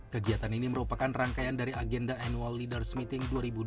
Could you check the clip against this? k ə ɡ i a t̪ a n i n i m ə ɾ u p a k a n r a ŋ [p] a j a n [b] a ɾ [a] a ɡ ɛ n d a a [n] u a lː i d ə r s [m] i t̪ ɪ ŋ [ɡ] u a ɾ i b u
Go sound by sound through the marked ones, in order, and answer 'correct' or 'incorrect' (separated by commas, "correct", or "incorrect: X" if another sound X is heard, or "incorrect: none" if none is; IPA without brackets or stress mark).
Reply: incorrect: k, incorrect: d, incorrect: i, correct, correct, incorrect: d